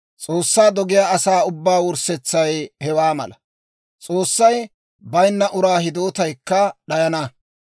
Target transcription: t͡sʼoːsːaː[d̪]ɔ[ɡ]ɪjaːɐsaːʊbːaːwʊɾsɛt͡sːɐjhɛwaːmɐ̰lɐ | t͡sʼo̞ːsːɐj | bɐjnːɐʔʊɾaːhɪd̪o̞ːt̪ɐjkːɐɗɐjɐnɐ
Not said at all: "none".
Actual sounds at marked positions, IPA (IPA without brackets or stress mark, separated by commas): d̪, ɡ